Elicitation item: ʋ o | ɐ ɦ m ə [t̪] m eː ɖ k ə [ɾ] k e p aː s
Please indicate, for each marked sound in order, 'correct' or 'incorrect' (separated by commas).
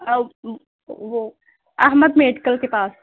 incorrect, incorrect